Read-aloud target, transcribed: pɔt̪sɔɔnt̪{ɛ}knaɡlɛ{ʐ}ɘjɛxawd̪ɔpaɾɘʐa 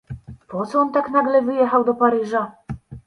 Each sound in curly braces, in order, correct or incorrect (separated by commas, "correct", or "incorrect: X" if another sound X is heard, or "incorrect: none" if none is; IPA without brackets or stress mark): incorrect: a, incorrect: v